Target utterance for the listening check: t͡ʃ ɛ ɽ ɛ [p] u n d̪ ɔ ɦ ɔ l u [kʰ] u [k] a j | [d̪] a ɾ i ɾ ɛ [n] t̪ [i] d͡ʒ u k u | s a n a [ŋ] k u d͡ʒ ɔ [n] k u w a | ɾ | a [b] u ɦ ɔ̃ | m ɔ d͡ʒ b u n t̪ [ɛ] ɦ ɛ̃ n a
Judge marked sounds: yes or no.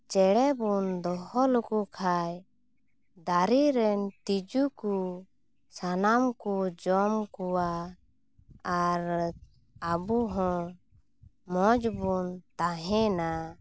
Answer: no, no, no, yes, yes, yes, no, no, yes, no

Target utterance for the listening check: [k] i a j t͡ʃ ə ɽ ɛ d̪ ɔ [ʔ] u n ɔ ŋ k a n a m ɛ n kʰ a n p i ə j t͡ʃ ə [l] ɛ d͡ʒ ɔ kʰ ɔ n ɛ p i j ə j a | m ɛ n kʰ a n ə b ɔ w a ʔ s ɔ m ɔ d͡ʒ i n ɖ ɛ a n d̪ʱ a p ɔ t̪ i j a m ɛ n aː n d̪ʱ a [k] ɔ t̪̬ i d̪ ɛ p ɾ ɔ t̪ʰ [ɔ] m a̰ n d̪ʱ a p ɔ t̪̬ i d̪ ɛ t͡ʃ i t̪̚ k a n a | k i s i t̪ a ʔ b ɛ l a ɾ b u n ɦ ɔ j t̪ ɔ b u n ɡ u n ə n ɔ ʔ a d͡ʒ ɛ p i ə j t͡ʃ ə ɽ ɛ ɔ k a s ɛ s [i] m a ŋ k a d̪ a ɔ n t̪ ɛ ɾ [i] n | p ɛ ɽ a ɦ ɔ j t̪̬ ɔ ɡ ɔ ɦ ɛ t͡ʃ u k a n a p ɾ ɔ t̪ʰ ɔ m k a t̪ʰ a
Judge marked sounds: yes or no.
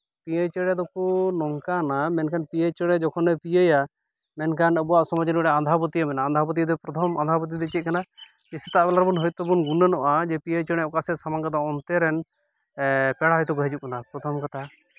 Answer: no, no, no, no, yes, no, no

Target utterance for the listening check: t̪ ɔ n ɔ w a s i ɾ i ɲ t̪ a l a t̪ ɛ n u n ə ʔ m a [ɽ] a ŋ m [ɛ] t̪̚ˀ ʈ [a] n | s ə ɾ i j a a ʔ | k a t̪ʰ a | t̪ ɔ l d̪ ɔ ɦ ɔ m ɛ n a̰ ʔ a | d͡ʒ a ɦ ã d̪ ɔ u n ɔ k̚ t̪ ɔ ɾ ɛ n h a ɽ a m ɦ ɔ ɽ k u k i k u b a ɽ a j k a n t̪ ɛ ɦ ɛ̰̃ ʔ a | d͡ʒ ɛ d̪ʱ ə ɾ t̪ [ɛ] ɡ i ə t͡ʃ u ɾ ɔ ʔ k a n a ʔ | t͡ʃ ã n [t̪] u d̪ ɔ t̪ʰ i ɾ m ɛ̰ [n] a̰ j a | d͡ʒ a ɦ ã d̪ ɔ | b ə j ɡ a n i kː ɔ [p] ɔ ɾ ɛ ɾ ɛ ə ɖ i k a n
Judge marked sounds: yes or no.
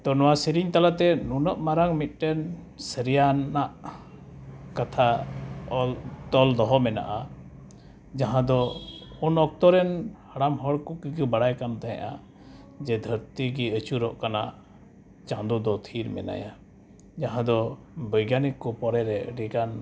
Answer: no, no, no, no, no, yes, yes

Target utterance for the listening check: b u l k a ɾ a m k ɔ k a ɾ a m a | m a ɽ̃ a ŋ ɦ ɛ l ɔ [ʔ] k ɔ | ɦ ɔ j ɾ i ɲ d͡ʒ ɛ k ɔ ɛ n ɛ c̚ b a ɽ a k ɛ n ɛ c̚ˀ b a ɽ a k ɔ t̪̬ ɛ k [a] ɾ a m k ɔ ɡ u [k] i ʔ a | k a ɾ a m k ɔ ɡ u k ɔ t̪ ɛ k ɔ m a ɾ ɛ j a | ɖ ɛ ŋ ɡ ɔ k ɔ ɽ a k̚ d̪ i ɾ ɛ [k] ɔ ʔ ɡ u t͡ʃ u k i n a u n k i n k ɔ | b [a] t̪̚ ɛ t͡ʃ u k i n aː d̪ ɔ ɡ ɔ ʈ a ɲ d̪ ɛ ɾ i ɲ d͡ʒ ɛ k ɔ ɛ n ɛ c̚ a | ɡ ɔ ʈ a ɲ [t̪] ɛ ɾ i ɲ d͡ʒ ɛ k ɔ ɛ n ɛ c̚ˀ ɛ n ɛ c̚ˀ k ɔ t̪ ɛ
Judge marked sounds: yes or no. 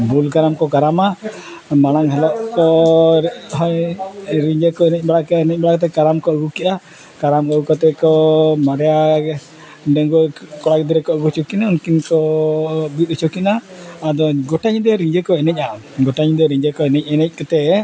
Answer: yes, yes, yes, yes, no, no

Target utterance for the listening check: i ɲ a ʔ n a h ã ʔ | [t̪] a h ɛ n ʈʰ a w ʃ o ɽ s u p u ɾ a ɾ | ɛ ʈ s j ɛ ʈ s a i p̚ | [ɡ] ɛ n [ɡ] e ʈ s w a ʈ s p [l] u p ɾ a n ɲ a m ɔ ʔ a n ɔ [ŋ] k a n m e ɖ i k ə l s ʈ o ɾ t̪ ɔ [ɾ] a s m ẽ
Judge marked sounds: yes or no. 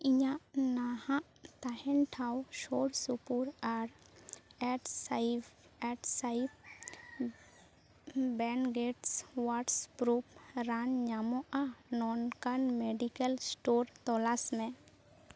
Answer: yes, no, yes, no, no, no

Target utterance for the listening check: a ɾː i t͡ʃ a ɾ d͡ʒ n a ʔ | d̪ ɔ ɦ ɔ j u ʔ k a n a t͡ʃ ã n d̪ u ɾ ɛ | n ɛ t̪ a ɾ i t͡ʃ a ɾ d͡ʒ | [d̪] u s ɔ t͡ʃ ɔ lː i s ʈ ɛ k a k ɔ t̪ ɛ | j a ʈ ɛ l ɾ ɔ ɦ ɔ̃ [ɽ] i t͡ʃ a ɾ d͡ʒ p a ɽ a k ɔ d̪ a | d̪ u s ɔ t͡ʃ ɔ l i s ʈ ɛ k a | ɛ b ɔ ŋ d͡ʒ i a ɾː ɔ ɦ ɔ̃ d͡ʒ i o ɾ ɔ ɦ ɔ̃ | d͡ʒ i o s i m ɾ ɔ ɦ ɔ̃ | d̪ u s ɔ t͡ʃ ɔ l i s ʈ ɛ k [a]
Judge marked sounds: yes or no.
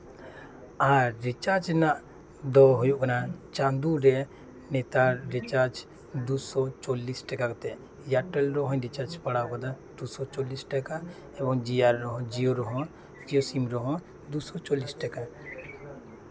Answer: yes, no, yes

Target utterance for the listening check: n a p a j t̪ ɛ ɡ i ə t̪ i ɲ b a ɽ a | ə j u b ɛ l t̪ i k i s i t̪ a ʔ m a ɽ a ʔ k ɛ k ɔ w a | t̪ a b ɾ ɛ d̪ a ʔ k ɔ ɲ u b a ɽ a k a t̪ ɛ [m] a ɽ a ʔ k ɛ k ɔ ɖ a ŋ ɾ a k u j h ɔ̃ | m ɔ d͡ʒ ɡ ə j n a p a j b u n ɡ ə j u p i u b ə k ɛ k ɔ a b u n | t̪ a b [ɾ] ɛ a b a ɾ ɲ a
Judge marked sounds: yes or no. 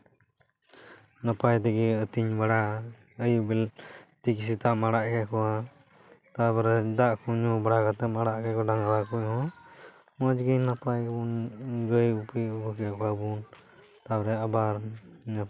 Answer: yes, yes

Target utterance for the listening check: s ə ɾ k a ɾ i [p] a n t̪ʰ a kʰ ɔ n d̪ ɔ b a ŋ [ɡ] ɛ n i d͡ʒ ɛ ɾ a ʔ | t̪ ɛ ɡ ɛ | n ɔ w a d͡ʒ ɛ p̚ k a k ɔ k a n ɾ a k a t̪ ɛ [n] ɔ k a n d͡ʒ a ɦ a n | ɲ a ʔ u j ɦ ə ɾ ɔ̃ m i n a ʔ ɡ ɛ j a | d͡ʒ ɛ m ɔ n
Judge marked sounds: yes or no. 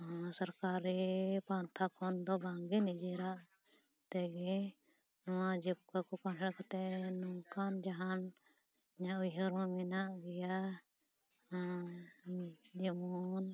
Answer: yes, yes, yes

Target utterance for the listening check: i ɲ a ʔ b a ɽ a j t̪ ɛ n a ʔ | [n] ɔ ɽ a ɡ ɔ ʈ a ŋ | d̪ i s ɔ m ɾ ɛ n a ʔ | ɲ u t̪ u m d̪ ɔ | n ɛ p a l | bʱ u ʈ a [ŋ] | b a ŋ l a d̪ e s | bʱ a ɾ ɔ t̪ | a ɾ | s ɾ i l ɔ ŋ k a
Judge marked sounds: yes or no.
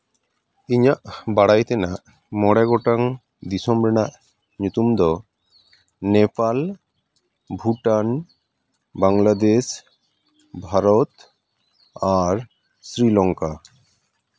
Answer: no, no

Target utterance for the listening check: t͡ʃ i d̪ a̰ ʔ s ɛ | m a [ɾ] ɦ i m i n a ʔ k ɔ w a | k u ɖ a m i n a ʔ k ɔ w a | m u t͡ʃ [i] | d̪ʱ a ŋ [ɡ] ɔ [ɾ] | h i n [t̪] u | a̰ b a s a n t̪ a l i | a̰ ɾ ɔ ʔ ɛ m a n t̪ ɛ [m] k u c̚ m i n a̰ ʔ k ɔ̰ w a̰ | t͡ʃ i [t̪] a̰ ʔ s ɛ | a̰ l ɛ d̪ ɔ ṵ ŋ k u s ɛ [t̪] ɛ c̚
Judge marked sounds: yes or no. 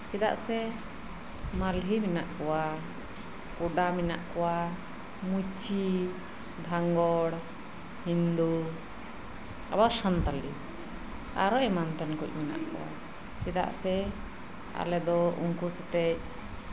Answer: no, yes, yes, no, no, no, no, yes

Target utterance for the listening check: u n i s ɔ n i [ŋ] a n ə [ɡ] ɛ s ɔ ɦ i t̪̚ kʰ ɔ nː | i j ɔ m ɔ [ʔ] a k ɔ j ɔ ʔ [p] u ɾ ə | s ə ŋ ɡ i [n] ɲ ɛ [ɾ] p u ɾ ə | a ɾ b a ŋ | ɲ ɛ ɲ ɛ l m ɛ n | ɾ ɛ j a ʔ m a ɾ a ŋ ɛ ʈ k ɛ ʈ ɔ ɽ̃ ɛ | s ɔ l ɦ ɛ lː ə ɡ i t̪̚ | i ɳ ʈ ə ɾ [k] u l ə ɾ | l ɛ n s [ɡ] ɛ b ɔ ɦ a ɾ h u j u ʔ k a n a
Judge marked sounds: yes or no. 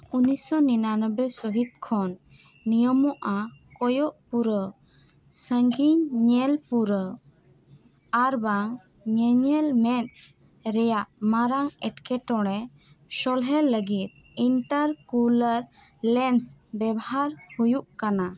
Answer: no, no, yes, yes, no, no, yes, no

